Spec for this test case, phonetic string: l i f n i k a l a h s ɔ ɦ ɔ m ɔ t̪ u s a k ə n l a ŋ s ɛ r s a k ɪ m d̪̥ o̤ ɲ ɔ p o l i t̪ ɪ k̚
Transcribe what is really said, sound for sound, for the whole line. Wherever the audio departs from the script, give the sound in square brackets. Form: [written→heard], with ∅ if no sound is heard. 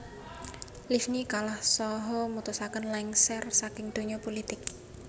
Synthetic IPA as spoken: l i f n i k a l a h s ɔ ɦ ɔ m [ɔ→u] t̪ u s a k ə n l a ŋ s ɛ r s a k ɪ [m→ŋ] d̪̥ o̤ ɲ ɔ p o l i t̪ ɪ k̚